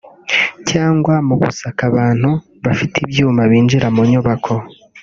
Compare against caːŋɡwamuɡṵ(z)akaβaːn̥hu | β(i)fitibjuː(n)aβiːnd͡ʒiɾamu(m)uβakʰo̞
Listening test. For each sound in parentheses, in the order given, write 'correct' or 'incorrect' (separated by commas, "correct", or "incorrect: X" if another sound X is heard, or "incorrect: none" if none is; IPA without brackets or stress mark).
incorrect: s, incorrect: a, incorrect: m, incorrect: ɲ